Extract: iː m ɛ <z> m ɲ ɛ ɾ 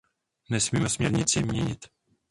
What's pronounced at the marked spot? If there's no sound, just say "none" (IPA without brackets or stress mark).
s